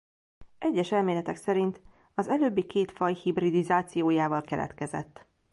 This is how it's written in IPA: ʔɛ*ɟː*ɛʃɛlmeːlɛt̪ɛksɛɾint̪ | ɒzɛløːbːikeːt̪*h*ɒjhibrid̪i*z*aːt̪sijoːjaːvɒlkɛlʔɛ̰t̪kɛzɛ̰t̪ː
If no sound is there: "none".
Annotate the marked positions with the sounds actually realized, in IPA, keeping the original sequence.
ɟː, f, z

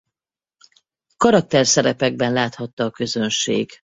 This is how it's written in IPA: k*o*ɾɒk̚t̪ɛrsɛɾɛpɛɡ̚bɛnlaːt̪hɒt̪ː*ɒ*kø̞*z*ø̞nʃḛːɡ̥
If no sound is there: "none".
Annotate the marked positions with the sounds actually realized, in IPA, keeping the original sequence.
ɒ, ɒː, z

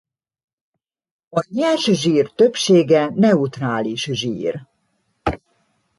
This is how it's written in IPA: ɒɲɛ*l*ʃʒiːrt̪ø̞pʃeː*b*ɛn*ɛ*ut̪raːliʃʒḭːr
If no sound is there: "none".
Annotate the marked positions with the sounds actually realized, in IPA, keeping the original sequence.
l, ɡ, ɛ

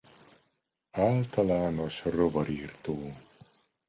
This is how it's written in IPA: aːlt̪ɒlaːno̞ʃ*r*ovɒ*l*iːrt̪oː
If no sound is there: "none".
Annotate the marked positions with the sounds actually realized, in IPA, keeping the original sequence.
r, ɾ

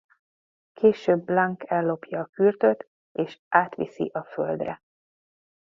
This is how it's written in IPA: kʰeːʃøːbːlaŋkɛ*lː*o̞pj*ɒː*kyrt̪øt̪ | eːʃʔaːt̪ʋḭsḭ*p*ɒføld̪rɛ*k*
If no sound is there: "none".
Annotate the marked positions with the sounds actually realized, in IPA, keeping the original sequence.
lː, ɒː, ʔ, none

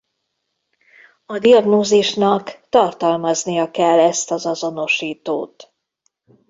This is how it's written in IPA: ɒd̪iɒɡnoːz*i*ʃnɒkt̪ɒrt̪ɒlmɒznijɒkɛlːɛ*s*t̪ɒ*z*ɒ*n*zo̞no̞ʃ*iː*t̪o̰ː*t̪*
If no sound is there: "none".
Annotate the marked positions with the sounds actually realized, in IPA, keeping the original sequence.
i, s, z, none, iː, t̪

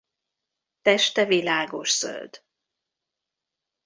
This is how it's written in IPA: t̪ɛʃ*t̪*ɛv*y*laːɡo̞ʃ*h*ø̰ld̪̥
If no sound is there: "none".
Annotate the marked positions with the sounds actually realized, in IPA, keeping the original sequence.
t̪, i, s

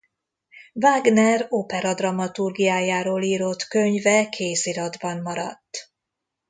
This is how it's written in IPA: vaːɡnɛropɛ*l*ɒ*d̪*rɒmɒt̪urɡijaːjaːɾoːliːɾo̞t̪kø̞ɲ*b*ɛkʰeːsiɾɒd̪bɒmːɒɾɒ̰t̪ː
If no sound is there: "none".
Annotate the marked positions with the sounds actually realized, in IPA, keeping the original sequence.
ɾ, d̪, v

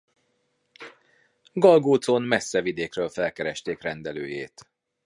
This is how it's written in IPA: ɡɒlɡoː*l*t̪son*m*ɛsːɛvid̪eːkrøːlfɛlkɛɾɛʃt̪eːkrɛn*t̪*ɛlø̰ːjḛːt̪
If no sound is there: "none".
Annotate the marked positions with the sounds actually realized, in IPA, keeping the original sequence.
none, m, d̪

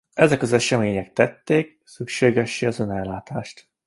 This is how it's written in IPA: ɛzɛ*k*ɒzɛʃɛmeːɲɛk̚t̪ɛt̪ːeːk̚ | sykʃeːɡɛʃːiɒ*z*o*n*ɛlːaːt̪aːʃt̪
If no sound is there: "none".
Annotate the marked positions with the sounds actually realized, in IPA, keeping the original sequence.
k, z, n

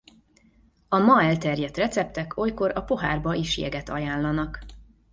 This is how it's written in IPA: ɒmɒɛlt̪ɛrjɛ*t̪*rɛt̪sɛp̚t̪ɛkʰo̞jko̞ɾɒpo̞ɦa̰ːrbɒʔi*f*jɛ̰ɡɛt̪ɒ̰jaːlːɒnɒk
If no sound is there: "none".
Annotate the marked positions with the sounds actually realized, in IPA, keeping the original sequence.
t̪, ʃ

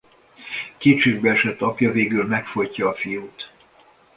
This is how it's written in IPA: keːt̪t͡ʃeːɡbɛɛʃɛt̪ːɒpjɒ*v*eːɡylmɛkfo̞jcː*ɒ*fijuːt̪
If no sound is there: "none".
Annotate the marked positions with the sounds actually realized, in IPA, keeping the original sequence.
v, ɒː

